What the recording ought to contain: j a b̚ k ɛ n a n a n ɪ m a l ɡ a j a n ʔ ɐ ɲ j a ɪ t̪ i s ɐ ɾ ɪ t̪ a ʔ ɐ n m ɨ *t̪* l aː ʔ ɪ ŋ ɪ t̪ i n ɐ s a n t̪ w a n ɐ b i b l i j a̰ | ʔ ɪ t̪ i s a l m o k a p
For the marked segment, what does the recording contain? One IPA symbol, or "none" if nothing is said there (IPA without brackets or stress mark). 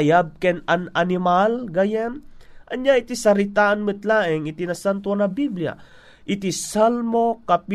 t̪